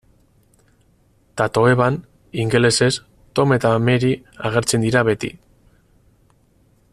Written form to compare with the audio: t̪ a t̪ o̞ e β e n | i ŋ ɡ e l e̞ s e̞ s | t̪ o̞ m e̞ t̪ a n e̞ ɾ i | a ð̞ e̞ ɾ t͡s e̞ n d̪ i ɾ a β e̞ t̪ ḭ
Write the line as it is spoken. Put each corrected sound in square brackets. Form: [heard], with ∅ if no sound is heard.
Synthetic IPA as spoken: t̪ a t̪ o̞ e β [a] n | i ŋ ɡ e l e̞ s e̞ s | t̪ o̞ m e̞ t̪ a [m] e̞ ɾ i | a [ɣ̞] e̞ ɾ t͡s e̞ n d̪ i ɾ a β e̞ t̪ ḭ